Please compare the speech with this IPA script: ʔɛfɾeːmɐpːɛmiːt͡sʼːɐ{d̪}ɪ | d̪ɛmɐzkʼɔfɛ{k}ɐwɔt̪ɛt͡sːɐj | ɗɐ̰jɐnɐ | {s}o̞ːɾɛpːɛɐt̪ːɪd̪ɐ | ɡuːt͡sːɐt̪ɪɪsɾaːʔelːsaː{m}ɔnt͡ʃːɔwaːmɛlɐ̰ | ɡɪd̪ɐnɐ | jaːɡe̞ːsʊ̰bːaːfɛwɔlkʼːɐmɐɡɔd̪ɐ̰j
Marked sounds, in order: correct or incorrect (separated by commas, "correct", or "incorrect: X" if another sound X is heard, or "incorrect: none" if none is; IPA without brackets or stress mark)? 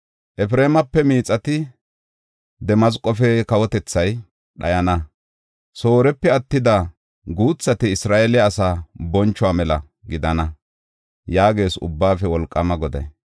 incorrect: t̪, correct, correct, incorrect: b